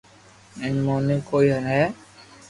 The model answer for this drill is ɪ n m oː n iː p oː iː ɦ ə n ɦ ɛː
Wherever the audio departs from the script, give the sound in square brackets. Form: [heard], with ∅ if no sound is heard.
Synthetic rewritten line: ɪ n m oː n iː [k] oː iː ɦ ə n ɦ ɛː